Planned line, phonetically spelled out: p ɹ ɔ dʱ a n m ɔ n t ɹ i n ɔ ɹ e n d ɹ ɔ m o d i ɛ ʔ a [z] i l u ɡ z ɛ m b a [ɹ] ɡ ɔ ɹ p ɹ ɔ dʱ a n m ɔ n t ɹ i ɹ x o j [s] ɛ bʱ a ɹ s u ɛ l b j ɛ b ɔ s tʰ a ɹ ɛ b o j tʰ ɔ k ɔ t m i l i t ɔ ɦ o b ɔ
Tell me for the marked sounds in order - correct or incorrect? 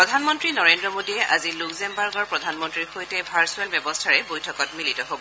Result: correct, correct, incorrect

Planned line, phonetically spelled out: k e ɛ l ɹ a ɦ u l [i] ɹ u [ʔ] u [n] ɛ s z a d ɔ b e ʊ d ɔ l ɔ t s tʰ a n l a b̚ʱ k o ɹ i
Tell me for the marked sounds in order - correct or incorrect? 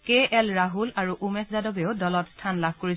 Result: incorrect, correct, incorrect

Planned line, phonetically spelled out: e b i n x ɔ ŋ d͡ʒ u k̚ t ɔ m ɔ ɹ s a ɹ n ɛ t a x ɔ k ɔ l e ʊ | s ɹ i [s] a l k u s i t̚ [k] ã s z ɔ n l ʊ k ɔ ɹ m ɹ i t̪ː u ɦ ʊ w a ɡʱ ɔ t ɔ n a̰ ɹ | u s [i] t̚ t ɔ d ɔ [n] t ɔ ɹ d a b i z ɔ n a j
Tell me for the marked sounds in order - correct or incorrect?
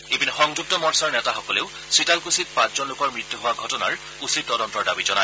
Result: incorrect, incorrect, correct, correct

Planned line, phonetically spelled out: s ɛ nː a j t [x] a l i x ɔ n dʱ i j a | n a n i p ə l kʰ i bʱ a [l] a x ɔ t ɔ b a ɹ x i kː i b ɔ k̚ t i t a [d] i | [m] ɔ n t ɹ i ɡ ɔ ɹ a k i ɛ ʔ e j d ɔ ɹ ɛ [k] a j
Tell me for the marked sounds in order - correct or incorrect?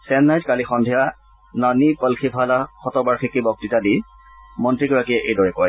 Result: incorrect, correct, correct, correct, correct

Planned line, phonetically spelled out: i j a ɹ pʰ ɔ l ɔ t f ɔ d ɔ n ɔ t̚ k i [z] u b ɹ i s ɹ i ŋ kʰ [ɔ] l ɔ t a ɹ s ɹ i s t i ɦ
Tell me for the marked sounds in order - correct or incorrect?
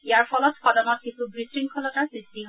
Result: incorrect, correct

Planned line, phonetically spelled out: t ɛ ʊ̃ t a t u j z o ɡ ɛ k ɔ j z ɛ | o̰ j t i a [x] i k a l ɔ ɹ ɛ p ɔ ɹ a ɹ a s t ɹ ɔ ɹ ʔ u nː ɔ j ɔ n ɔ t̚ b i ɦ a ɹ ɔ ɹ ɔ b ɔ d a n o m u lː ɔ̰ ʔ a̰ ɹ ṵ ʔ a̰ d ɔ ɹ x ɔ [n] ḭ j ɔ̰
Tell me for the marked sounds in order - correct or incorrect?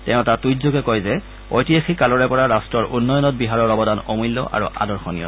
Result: correct, correct

